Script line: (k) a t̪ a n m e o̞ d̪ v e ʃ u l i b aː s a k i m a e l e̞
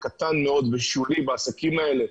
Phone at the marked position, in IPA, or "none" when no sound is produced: k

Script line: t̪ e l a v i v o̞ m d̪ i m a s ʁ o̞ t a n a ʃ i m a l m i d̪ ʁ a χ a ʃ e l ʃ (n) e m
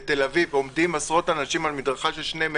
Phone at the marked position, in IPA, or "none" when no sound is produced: n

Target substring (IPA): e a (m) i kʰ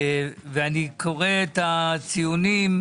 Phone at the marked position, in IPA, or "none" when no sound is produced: n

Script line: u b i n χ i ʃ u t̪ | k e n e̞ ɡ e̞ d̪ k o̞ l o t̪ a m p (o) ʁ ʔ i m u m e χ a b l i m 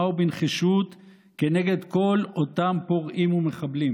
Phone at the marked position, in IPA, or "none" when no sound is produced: o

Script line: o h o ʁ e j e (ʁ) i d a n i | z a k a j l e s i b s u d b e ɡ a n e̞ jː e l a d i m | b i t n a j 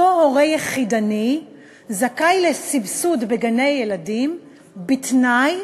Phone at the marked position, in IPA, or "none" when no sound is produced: χ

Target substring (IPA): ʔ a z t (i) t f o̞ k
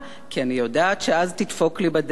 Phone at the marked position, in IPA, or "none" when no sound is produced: i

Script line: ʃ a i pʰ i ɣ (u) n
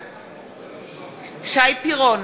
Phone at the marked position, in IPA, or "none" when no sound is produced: ɔ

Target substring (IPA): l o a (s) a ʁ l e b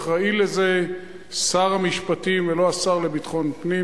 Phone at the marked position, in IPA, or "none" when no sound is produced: s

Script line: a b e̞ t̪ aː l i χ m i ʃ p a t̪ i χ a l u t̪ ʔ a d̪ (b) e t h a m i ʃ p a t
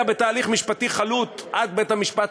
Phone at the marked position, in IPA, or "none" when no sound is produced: b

